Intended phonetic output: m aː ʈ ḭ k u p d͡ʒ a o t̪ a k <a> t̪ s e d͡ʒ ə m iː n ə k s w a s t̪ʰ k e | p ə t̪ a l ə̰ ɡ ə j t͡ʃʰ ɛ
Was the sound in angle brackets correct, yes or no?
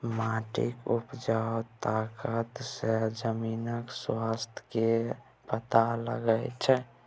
no